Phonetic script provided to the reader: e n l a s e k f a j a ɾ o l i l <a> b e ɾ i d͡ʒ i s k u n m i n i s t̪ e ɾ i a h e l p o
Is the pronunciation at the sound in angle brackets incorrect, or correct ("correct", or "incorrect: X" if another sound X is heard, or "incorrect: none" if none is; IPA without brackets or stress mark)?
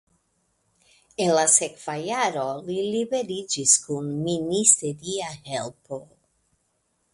incorrect: i